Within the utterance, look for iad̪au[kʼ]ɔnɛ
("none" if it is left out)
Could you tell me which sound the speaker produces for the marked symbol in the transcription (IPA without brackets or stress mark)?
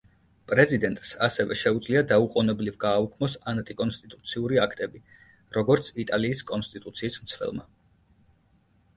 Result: qʼ